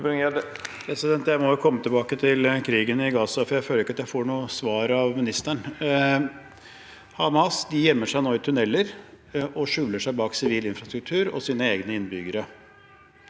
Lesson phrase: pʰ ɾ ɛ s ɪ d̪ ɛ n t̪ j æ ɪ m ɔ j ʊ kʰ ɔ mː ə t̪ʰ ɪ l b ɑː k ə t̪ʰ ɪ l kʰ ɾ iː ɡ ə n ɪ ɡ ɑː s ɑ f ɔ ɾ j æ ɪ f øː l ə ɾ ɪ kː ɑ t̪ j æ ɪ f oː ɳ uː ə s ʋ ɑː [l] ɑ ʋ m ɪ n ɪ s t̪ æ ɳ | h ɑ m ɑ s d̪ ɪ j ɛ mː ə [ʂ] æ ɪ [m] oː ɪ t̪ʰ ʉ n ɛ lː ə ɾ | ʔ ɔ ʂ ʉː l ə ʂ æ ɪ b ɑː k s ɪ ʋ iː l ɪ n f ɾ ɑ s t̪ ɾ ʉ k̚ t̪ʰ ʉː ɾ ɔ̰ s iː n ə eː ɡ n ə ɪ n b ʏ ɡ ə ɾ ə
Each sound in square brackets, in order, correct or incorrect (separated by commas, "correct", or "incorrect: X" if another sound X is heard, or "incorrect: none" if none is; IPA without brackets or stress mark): incorrect: ɾ, correct, incorrect: n